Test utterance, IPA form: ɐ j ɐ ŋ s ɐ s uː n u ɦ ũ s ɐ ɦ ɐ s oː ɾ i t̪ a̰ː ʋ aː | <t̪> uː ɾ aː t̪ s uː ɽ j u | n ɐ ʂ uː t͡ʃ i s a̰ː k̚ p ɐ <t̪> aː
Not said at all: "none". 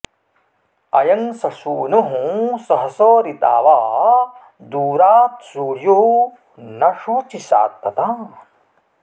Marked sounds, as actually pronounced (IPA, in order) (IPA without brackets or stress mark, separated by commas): d̪, t̪